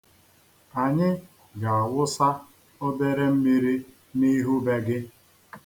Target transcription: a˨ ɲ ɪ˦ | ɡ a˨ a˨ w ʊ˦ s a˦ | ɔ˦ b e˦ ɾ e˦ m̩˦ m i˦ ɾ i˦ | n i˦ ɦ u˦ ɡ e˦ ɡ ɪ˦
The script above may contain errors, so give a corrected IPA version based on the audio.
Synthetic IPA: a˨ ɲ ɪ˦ | ɡ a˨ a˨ w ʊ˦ s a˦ | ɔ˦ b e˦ ɾ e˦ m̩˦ m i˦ ɾ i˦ | n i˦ ɦ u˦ b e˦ ɡ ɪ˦